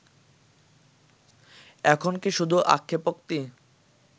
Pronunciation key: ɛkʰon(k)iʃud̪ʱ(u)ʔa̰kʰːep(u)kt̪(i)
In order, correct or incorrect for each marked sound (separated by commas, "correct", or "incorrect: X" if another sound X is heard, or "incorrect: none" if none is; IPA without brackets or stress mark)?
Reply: correct, correct, incorrect: o, correct